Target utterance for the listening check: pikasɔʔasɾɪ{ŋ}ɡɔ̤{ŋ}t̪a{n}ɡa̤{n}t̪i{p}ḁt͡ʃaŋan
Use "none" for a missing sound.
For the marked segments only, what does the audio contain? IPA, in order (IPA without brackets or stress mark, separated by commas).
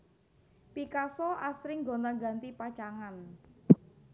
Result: ŋ, n, ŋ, n, p